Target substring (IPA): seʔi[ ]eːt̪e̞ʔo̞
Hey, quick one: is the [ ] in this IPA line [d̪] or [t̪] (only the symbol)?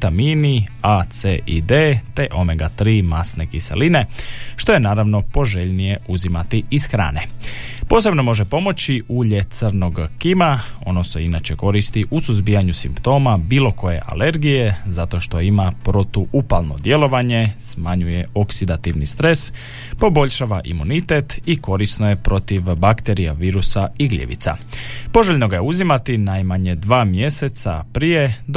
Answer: d̪